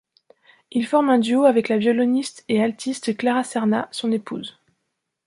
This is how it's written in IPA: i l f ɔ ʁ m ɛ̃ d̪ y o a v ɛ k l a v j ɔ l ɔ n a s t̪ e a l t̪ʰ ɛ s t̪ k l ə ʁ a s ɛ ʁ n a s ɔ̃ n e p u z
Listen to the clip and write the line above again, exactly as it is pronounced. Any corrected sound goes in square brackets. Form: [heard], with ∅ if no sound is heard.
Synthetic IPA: i l f ɔ ʁ m ɛ̃ d̪ y o a v ɛ k l a v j ɔ l ɔ n [i] s t̪ e a l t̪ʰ [i] s t̪ k l [a] ʁ a s ɛ ʁ n a s ɔ̃ n e p u z